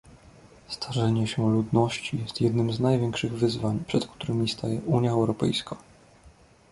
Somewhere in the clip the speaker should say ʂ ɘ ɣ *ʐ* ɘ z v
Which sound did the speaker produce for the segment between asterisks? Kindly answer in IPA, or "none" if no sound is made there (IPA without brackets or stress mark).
v